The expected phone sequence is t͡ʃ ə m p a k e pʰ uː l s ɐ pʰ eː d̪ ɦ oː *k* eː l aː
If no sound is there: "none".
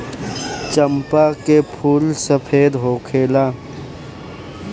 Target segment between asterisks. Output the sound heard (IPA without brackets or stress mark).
kʰ